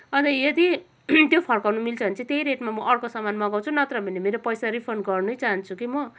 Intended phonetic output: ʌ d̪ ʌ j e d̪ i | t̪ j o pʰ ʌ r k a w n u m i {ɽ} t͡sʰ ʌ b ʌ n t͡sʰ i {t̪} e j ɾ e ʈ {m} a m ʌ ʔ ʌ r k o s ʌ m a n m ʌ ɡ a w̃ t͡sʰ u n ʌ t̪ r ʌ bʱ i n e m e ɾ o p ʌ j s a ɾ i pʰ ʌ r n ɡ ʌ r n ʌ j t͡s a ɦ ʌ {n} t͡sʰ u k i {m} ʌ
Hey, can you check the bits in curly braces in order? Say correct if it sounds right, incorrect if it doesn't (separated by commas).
incorrect, correct, correct, correct, correct